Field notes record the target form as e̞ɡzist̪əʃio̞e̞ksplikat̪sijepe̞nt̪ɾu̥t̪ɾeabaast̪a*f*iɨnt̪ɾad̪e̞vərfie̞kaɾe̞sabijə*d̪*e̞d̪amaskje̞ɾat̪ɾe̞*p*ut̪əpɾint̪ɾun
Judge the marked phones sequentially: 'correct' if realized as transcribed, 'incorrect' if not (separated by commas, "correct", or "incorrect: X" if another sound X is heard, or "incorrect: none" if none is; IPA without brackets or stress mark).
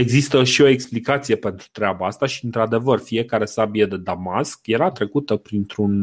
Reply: incorrect: ʃ, correct, incorrect: k